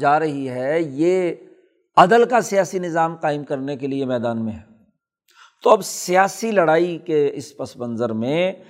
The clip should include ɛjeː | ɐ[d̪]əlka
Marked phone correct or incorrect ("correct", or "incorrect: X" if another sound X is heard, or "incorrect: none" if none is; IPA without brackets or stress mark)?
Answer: correct